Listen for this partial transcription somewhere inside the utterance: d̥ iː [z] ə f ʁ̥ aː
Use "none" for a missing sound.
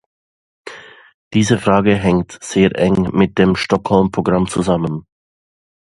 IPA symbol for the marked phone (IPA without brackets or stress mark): z